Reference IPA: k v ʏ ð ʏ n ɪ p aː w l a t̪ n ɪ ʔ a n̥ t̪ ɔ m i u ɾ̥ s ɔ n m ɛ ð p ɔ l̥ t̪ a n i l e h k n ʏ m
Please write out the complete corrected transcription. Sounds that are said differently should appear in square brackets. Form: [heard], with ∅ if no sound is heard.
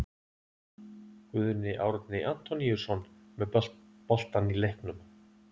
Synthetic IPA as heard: k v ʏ ð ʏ n ɪ [ʔ] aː w [ɾ] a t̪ n ɪ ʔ a n̥ t̪ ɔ [n] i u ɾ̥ s ɔ n m ɛ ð p ɔ l̥ t̪ a n i l e h k n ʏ m